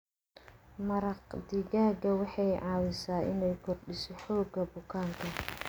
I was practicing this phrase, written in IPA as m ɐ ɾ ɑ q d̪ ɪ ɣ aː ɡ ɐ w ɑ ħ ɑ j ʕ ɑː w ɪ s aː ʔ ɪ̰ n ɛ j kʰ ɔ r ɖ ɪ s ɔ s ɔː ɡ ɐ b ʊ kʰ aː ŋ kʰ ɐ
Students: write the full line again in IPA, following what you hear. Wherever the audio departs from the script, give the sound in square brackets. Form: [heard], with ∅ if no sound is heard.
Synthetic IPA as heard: m ɐ ɾ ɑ q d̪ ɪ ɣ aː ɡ ɐ w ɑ ħ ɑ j ʕ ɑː w ɪ s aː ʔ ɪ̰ n ɛ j kʰ ɔ r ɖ ɪ s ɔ [ħ] ɔː ɡ ɐ b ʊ kʰ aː ŋ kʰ ɐ